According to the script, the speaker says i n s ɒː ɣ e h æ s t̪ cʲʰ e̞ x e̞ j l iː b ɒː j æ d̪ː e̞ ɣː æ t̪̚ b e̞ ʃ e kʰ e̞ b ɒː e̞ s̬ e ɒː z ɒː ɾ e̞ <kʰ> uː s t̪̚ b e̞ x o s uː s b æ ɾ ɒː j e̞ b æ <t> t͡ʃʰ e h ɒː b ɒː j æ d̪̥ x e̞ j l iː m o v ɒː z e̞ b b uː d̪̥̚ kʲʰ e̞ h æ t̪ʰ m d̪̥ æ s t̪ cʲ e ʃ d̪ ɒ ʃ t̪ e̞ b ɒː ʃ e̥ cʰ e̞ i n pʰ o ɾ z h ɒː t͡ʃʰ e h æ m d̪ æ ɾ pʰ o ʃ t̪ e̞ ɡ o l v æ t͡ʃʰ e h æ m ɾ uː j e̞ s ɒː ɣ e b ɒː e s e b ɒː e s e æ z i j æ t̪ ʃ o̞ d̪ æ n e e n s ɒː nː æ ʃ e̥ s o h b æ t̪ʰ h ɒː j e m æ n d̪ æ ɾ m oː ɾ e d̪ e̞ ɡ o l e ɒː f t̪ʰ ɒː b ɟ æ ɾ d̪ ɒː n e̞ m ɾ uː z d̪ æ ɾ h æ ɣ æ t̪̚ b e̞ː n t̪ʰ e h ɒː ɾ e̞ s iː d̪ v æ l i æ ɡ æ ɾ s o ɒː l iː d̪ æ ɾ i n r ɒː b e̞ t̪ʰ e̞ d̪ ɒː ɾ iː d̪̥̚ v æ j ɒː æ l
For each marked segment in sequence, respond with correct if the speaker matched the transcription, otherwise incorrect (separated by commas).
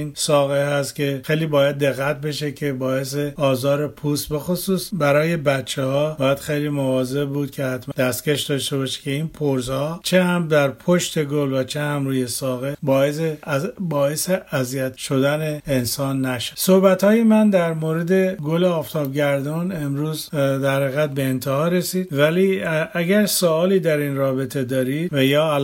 incorrect, correct